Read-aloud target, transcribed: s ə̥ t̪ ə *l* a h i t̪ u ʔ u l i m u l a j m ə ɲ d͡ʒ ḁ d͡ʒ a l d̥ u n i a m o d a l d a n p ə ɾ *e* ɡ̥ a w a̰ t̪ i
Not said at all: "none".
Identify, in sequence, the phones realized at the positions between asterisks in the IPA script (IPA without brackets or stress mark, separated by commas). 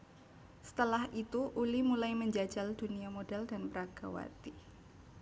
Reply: l, a